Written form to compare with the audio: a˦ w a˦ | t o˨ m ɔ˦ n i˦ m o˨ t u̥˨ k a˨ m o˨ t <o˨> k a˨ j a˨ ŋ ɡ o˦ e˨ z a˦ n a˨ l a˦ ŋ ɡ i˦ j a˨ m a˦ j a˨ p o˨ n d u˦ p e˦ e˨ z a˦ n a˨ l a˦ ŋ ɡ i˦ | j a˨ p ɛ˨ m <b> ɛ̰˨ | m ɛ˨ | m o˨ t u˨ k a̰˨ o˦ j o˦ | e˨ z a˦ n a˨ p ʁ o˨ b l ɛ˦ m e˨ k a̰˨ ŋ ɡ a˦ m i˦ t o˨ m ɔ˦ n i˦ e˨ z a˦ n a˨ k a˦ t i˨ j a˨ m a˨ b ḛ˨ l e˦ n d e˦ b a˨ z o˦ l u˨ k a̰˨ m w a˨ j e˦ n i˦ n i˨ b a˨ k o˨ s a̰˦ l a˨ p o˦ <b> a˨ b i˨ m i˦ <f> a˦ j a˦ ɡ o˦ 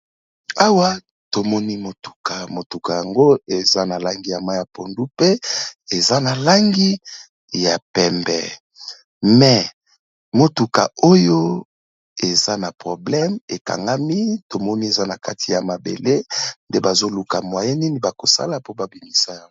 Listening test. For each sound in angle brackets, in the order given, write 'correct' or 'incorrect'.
incorrect: u˨, correct, correct, incorrect: s

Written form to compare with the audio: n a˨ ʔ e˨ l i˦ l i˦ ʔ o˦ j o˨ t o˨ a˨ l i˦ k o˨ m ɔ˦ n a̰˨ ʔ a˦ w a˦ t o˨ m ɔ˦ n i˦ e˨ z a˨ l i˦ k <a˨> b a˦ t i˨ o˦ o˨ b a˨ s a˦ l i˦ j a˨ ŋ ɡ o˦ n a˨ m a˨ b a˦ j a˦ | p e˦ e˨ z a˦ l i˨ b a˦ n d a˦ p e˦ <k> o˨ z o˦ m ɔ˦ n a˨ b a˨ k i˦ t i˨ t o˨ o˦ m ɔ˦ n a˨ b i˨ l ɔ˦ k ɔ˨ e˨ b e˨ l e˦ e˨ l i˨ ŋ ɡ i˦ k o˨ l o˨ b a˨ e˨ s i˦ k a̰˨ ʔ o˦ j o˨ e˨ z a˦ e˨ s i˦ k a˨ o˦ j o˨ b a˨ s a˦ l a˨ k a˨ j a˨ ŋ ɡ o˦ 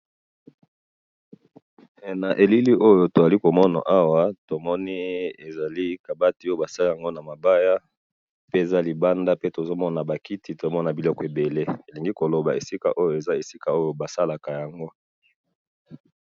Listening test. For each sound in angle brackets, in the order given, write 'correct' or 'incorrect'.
correct, incorrect: t

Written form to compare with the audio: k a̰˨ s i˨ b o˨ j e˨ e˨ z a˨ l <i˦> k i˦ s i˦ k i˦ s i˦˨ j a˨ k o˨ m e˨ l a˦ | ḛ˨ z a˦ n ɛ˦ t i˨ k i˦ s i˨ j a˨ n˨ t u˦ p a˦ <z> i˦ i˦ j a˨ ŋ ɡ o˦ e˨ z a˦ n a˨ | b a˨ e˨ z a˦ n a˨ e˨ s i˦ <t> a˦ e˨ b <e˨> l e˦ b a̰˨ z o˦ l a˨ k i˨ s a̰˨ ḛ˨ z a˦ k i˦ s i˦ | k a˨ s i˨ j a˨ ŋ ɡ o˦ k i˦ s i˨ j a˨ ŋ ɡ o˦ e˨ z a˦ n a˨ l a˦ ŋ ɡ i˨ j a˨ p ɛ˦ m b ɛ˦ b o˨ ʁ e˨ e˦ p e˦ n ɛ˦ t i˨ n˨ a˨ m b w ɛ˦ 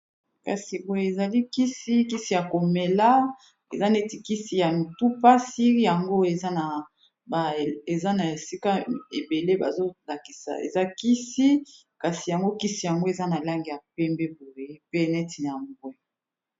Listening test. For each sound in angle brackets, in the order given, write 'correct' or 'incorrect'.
correct, incorrect: s, incorrect: k, correct

